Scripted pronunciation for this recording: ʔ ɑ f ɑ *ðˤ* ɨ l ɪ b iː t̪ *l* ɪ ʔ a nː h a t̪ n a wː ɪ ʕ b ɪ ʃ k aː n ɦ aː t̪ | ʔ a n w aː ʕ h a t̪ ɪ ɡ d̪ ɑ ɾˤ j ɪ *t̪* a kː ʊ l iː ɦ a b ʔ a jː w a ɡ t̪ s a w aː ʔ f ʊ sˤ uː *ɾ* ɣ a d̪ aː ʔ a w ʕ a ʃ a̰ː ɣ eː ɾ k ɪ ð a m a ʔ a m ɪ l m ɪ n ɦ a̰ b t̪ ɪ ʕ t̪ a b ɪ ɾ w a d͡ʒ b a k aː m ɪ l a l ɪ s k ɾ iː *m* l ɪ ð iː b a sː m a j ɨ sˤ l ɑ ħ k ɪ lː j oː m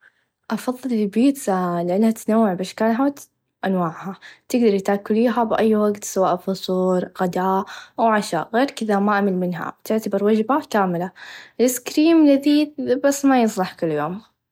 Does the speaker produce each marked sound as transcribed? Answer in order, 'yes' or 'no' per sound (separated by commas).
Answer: no, yes, yes, yes, yes